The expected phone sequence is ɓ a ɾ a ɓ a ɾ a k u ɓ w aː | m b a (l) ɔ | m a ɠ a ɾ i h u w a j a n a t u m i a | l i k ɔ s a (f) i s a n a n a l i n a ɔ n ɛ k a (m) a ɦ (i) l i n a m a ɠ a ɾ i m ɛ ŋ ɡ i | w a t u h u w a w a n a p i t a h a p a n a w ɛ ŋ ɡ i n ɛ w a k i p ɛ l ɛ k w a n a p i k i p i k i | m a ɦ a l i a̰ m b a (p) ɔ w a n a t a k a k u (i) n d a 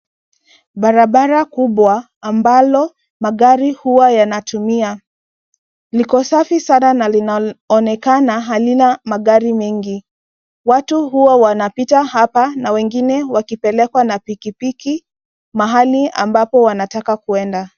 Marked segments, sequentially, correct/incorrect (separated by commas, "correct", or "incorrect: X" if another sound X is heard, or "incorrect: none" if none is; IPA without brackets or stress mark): correct, correct, incorrect: n, incorrect: a, correct, incorrect: ɛ